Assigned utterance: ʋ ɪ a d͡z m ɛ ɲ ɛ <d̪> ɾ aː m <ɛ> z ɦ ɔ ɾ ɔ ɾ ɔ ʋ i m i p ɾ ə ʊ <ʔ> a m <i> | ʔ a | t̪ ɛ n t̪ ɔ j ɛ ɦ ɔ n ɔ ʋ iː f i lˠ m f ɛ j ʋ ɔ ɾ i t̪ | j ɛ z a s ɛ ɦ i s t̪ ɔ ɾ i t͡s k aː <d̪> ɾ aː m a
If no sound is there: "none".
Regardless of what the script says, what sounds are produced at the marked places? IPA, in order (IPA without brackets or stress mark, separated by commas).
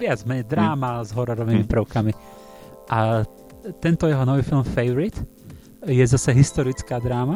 d̪, a, k, i, d̪